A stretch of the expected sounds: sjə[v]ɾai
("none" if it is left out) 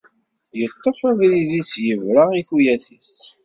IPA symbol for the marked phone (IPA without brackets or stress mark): v